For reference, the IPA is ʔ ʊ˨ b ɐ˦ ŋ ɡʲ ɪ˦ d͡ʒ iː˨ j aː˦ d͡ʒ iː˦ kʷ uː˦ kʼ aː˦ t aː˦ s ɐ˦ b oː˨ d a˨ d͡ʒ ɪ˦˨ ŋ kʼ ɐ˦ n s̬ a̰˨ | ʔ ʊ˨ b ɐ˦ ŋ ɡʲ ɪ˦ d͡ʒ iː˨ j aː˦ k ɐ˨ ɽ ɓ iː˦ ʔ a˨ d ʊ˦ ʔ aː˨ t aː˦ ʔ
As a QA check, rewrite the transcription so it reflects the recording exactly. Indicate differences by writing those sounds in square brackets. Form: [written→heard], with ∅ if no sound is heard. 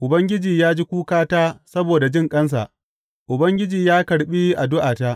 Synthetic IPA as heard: ʔ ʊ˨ b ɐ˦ ŋ ɡʲ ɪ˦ d͡ʒ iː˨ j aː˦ d͡ʒ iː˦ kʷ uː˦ [kʼ→k] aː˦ t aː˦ s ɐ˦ b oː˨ d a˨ d͡ʒ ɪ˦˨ ŋ kʼ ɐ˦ n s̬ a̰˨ | ʔ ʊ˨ b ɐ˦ ŋ ɡʲ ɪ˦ d͡ʒ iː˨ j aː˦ k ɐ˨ ɽ ɓ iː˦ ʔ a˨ d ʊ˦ ʔ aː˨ t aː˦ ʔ